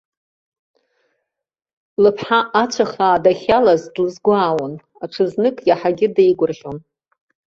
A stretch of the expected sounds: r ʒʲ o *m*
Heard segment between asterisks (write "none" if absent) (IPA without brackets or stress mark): n